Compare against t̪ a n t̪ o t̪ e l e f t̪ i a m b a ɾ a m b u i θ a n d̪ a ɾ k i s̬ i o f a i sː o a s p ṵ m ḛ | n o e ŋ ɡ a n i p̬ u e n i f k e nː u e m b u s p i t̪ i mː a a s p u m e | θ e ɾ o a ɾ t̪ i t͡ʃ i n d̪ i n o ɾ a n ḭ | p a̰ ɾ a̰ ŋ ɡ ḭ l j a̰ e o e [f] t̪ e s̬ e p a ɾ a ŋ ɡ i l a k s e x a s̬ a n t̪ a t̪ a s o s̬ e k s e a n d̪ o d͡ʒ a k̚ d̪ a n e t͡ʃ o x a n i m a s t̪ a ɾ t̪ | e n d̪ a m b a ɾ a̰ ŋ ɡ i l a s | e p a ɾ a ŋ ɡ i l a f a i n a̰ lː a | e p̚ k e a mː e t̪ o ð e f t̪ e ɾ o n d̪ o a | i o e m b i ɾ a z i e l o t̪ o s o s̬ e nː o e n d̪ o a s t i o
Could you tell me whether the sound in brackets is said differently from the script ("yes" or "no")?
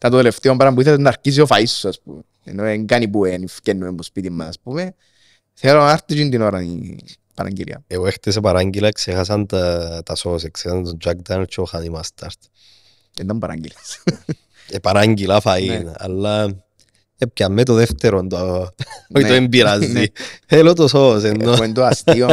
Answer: yes